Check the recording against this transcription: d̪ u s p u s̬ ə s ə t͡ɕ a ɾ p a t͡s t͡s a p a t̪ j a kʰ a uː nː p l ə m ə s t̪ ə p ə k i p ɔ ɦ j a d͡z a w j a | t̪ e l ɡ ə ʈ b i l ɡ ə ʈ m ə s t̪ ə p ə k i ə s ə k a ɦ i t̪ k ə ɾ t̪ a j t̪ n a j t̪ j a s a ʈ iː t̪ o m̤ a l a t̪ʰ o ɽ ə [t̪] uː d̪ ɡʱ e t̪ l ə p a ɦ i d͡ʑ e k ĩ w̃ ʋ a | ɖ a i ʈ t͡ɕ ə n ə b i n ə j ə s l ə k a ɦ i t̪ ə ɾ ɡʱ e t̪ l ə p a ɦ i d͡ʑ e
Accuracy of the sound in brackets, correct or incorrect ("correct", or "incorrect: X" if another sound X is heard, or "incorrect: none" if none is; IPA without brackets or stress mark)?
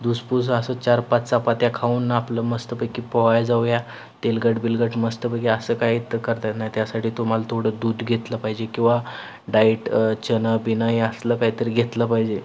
incorrect: d̪